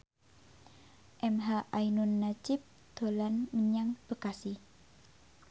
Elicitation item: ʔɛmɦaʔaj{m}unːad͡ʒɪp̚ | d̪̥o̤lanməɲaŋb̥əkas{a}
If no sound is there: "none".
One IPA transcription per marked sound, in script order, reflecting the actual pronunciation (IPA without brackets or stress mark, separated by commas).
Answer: n, i